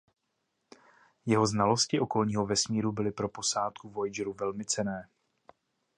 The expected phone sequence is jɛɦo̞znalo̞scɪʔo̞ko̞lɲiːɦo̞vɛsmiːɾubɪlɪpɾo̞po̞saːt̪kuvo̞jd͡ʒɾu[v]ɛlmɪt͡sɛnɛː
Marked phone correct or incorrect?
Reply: correct